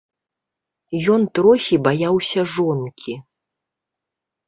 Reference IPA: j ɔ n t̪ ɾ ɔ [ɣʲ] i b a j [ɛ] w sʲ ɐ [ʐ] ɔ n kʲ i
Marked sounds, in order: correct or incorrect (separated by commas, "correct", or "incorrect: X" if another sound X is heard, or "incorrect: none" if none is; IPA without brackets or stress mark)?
incorrect: xʲ, incorrect: a, correct